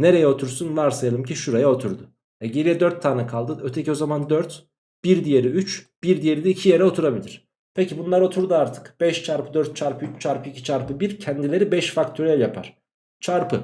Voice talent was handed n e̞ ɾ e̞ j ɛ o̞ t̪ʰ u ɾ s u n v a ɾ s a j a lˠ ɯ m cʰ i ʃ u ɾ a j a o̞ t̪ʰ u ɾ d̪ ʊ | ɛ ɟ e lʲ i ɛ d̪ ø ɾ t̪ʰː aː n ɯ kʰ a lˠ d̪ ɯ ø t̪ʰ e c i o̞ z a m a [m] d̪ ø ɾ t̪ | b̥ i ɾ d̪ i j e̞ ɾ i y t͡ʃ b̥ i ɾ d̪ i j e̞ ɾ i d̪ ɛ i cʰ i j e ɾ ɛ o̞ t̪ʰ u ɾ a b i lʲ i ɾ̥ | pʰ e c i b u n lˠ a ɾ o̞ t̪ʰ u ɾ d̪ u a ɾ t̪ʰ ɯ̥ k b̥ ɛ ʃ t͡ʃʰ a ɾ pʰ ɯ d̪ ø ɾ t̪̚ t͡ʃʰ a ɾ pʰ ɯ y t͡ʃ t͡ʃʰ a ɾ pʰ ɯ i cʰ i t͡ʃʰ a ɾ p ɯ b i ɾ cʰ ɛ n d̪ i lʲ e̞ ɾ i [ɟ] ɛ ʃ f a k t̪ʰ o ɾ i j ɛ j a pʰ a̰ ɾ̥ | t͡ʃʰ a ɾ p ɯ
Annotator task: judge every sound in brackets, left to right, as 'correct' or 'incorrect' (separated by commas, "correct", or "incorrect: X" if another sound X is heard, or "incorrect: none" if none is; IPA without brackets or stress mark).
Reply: incorrect: n, incorrect: b